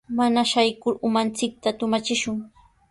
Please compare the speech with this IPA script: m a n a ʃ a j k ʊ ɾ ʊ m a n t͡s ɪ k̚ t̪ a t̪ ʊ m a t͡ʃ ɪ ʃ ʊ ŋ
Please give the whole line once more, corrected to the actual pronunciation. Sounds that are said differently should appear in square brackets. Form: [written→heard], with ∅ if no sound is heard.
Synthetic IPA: m a n a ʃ a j k ʊ ɾ ʊ m a n t͡s ɪ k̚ t̪ a t̪ ʊ m a t͡ʃ ɪ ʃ ʊ ŋ